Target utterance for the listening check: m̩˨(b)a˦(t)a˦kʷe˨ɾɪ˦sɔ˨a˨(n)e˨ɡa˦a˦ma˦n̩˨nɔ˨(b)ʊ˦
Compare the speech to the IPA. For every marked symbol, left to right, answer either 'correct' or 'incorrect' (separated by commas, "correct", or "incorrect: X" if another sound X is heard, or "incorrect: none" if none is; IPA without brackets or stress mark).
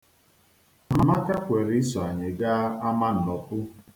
incorrect: m, incorrect: k, incorrect: ɲ, incorrect: p